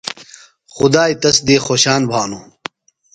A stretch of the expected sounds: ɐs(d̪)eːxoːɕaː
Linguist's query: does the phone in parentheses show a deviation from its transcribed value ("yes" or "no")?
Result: no